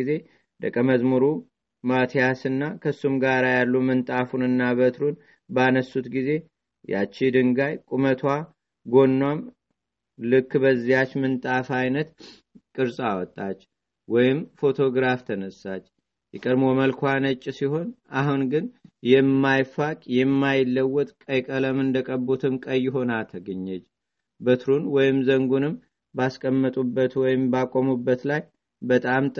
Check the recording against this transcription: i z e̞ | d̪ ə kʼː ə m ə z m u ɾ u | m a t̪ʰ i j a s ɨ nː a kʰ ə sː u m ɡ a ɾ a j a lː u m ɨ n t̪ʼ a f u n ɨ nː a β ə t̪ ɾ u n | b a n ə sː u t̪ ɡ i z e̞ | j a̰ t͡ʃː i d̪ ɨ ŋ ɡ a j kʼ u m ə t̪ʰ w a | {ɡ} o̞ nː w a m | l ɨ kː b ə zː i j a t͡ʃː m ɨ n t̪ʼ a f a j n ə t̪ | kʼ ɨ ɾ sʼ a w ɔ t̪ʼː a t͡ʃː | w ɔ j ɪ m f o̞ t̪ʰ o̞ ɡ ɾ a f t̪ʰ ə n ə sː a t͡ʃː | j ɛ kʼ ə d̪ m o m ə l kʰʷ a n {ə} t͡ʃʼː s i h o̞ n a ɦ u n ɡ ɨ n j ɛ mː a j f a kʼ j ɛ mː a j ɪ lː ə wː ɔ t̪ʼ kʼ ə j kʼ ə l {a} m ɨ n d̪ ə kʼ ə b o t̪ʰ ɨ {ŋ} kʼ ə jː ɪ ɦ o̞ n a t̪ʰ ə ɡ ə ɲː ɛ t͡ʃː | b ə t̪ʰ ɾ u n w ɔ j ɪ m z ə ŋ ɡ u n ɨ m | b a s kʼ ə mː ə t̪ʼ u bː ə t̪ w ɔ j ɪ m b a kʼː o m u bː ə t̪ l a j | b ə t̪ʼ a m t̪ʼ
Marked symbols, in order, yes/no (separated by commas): yes, yes, no, no